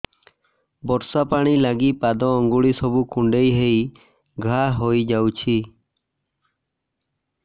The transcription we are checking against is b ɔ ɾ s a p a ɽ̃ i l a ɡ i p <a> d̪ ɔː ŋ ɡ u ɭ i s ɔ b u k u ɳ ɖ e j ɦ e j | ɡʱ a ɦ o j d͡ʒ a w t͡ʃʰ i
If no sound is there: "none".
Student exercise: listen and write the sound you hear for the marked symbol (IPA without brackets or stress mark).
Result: a